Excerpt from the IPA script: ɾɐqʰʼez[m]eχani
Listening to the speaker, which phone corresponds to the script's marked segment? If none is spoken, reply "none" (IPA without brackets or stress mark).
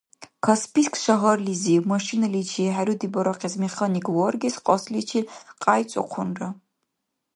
m